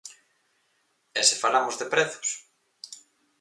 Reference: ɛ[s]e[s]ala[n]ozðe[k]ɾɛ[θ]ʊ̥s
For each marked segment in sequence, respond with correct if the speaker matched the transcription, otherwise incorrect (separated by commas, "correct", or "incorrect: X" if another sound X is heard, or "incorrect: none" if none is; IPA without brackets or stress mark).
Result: correct, incorrect: f, incorrect: m, incorrect: p, correct